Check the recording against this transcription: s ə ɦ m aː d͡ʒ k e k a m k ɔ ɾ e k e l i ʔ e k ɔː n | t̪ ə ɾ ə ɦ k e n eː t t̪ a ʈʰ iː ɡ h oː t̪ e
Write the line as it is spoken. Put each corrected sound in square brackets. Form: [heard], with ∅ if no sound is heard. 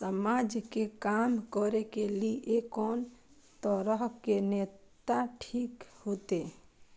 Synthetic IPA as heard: s ə [∅] m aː d͡ʒ k e k a m k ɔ ɾ e k e l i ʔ e k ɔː n | t̪ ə ɾ ə ɦ k e n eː t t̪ a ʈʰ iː [k] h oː t̪ e